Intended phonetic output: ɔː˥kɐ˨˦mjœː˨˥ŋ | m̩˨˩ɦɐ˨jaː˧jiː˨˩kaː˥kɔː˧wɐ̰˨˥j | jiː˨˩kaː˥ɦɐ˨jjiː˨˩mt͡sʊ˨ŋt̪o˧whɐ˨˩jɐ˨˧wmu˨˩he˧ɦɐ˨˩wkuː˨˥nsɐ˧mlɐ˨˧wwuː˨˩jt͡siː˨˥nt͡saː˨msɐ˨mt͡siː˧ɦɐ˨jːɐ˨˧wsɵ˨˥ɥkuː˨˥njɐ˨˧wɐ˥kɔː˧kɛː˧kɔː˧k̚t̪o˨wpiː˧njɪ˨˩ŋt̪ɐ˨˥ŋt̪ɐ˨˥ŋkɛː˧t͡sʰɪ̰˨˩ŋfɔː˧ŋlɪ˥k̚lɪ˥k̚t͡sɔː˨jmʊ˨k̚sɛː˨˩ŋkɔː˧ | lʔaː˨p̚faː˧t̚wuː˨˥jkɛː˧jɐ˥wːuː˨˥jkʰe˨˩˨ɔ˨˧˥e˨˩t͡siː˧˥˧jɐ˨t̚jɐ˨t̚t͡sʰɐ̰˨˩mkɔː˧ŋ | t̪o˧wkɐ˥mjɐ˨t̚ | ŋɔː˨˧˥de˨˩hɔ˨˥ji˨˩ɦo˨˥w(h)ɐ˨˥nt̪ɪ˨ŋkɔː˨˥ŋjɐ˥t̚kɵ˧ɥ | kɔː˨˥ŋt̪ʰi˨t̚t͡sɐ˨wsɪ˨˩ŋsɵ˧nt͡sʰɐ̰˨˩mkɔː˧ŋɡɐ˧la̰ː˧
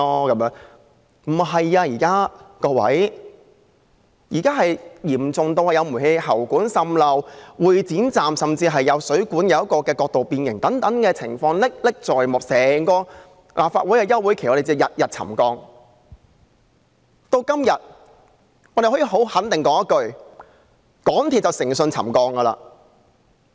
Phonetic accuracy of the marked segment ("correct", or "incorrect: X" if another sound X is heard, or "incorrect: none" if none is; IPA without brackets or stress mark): correct